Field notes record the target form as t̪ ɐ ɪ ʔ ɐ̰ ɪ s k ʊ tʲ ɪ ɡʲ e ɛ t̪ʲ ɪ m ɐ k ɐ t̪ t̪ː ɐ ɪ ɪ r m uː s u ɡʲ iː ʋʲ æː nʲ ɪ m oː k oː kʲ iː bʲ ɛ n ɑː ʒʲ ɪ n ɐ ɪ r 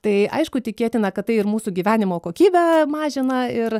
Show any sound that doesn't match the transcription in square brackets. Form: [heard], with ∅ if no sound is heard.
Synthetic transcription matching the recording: t̪ ɐ ɪ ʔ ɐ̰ ɪ [ʃ] k ʊ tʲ ɪ [kʲ] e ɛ t̪ʲ ɪ [n] ɐ k ɐ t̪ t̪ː ɐ ɪ ɪ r m uː s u ɡʲ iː ʋʲ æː nʲ ɪ m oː k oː kʲ iː bʲ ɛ [m] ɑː ʒʲ ɪ n ɐ ɪ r